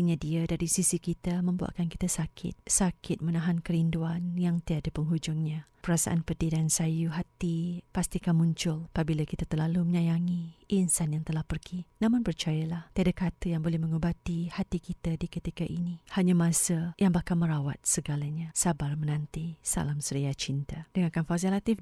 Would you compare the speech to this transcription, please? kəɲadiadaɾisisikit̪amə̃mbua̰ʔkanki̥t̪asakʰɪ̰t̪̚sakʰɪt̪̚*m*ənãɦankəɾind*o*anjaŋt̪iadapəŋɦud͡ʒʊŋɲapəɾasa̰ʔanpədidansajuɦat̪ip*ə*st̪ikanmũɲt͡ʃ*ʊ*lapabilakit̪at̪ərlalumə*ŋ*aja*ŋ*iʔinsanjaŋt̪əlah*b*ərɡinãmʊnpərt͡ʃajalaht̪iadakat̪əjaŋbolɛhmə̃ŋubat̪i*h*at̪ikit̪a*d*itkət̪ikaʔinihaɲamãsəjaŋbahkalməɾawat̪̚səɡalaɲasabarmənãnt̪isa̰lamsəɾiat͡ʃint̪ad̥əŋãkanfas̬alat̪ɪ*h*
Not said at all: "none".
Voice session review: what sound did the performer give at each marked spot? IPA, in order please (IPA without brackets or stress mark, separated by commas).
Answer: m, u, a, ʊ, ɲ, ŋ, p, h, d, f